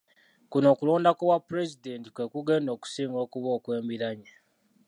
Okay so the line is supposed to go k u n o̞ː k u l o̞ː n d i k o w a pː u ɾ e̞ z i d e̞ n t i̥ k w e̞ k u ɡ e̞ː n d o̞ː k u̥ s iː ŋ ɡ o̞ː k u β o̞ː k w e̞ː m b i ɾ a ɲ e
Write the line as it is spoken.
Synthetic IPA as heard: k u n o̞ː k u l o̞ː n d a k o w a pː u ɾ e̞ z i d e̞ n t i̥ k w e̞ k u ɡ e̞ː n d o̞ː k u̥ s iː ŋ ɡ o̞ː k u β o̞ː k w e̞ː m b i ɾ a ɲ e